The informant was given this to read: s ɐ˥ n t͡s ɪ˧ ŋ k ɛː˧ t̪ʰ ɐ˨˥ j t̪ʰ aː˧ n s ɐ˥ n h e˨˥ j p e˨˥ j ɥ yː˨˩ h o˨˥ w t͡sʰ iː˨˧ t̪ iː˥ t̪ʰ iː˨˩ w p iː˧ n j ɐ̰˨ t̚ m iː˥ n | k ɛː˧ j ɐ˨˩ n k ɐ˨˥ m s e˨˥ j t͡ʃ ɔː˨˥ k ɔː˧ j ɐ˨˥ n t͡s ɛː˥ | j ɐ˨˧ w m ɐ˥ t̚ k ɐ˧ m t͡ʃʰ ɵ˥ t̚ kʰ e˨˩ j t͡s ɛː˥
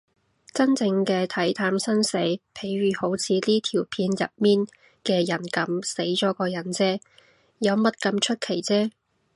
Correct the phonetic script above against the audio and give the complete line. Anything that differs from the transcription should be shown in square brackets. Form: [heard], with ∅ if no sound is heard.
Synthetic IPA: [t͡s] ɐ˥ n t͡s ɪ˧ ŋ k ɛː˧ t̪ʰ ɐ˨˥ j t̪ʰ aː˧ [m] s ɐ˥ n [s] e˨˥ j [pʰ] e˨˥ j ɥ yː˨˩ h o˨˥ w t͡sʰ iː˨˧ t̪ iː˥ t̪ʰ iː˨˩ w [pʰ] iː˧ n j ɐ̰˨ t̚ m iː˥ n | k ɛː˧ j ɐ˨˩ n k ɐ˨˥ m s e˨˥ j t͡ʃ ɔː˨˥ k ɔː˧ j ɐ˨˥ n t͡s ɛː˥ | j ɐ˨˧ w m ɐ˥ t̚ k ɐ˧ m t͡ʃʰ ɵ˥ t̚ kʰ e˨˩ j t͡s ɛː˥